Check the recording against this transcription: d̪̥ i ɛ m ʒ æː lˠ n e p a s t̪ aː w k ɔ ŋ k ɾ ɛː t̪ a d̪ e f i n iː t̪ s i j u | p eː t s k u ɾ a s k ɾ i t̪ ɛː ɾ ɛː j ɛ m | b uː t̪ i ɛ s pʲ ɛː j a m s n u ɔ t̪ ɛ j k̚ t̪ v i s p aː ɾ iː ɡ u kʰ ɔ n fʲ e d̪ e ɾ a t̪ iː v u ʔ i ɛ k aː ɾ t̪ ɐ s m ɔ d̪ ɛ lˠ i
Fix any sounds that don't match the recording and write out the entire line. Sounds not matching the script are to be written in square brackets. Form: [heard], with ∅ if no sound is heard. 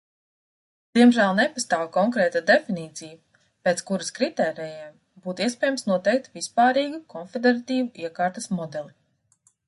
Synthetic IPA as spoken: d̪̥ i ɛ m ʒ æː lˠ n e p a s t̪ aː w k ɔ ŋ k ɾ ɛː t̪ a d̪ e f i n iː t̪ s i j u | p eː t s k u ɾ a s k ɾ i t̪ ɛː ɾ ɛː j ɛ m | b uː t̪ i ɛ s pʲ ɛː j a m s n u ɔ t̪ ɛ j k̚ t̪ v i s p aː ɾ iː ɡ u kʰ ɔ n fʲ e d̪ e ɾ a t̪ iː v u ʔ i ɛ k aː ɾ t̪ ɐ s m ɔ d̪ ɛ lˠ i